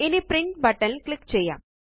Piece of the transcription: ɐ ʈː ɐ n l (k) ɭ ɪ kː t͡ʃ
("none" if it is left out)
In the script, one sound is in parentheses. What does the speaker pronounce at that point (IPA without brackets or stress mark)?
k